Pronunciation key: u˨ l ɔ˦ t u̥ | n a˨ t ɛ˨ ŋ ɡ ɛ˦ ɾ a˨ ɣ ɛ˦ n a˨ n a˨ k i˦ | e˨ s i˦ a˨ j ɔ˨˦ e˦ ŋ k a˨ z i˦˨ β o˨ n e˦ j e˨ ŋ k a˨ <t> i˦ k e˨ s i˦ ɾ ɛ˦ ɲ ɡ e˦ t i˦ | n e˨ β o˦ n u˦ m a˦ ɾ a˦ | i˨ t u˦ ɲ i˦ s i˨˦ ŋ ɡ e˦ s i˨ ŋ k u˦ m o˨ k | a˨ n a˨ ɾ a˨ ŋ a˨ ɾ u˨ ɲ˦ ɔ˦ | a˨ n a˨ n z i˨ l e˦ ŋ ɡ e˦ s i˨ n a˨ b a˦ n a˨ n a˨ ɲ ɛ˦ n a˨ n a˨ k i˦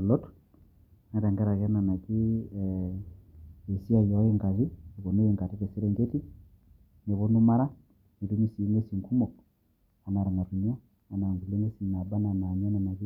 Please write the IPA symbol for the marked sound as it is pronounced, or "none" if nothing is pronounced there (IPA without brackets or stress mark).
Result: t